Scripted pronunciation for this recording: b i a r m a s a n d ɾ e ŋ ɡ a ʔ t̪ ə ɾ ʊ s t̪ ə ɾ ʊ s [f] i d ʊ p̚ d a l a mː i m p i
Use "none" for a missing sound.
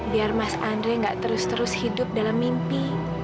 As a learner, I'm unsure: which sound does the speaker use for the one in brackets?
h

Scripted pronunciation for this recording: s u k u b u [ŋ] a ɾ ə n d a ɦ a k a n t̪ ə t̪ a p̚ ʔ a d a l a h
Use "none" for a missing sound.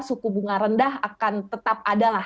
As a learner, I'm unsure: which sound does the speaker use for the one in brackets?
ŋ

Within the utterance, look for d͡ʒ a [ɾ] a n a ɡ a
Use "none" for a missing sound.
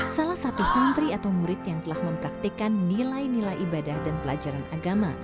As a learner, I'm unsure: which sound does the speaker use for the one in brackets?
ɾ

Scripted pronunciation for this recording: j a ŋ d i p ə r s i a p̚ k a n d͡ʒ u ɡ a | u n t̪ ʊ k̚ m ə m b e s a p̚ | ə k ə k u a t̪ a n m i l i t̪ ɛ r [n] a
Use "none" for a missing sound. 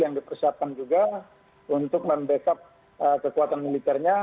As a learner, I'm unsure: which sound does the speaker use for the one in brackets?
ɲ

